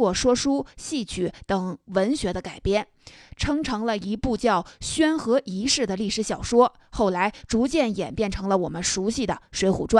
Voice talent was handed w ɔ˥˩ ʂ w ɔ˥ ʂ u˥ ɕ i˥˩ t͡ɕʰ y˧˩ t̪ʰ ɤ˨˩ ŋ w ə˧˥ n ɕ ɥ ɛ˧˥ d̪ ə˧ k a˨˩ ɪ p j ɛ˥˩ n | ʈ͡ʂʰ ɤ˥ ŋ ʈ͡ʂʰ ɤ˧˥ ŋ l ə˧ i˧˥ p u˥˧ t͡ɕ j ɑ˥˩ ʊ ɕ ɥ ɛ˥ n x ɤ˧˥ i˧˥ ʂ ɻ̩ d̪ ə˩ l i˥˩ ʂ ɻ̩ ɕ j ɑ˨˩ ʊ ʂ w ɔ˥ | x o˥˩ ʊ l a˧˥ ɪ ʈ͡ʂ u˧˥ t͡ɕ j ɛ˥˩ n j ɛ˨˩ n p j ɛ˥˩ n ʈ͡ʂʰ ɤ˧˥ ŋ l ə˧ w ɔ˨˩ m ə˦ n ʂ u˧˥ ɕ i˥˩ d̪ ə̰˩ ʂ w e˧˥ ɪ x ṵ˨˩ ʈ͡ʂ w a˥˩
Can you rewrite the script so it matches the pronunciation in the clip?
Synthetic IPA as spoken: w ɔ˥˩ ʂ w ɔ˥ ʂ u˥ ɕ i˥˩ t͡ɕʰ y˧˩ t̪ ɤ˨˩ ŋ w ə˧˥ n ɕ ɥ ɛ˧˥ d̪ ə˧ k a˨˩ ɪ p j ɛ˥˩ n | ʈ͡ʂʰ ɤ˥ ŋ ʈ͡ʂʰ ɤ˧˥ ŋ l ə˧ i˧˥ p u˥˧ t͡ɕ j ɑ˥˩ ʊ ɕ ɥ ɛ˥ n x ɤ˧˥ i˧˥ ʂ ɻ̩ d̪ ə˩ l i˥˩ ʂ ɻ̩ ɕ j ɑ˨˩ ʊ ʂ w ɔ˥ | x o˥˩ ʊ l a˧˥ ɪ ʈ͡ʂ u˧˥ t͡ɕ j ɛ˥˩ n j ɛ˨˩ n p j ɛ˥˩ n ʈ͡ʂʰ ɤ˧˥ ŋ l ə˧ w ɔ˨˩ m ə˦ n ʂ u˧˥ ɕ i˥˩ d̪ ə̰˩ ʂ w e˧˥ ɪ x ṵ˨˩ ʈ͡ʂ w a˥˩